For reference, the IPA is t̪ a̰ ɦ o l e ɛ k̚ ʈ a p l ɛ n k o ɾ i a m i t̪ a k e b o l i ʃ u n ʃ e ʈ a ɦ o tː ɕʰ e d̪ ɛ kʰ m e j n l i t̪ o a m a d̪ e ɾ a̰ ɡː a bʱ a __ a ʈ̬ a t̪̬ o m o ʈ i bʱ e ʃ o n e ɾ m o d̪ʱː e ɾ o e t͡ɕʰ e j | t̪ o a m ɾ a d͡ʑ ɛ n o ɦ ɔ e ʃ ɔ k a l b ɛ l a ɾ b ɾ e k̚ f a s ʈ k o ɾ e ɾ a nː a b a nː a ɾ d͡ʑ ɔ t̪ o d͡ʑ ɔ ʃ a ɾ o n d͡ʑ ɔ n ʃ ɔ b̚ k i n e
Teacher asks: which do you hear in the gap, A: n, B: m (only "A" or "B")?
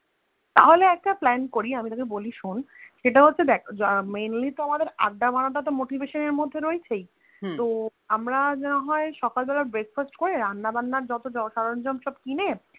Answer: A